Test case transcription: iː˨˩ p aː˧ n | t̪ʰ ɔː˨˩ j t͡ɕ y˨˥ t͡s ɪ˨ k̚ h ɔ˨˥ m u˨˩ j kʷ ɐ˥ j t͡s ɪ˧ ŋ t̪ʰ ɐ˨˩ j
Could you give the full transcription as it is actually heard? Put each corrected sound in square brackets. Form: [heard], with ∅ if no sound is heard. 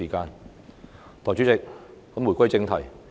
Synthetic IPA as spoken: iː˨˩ [k] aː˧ n | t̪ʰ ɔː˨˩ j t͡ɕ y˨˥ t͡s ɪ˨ k̚ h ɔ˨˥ m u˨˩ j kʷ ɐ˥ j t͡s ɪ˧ ŋ t̪ʰ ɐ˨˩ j